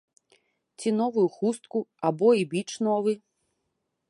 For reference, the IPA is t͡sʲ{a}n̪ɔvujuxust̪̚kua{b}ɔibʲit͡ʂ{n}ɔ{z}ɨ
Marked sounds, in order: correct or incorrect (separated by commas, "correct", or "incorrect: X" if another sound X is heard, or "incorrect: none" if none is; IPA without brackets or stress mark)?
incorrect: i, correct, correct, incorrect: v